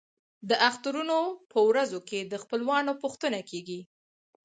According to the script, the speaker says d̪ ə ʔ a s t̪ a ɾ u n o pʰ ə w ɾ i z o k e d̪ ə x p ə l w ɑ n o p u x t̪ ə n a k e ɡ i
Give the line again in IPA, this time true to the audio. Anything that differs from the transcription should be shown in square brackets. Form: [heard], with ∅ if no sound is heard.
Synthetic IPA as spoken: d̪ ə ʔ a [x] t̪ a ɾ u n o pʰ ə w ɾ [a] z o k e d̪ ə x p ə l w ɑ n o p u x t̪ ə n a k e ɡ i